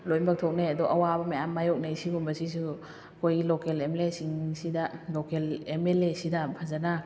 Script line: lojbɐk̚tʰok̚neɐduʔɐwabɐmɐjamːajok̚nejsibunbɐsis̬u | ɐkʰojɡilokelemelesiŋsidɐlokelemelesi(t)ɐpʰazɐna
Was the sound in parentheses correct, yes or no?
no